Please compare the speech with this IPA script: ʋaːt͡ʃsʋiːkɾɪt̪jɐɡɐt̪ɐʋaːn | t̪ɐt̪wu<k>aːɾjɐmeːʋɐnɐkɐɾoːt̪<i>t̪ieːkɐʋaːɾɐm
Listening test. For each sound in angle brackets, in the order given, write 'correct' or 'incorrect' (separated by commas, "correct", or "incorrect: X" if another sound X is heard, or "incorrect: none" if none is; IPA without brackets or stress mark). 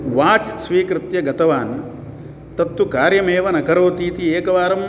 correct, incorrect: iː